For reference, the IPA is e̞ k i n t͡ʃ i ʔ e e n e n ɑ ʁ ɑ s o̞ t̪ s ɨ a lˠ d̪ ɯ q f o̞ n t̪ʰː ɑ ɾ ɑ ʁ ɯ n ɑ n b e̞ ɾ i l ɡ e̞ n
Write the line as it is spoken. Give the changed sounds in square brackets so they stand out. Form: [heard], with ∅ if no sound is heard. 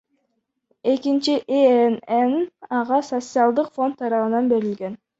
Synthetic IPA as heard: e̞ k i n t͡ʃ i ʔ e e n e n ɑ ʁ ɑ s o̞ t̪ s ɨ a lˠ d̪ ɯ q f o̞ n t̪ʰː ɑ ɾ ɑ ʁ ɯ n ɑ n b e̞ ɾ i l ɡ e̞ n